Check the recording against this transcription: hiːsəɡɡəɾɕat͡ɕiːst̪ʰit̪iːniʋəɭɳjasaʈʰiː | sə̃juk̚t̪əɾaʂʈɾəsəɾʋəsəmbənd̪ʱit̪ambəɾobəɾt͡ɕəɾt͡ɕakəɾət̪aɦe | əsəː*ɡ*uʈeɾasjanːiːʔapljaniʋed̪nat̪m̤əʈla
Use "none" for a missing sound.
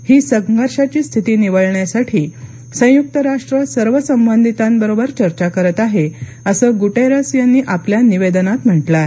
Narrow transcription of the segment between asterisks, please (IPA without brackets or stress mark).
ɡ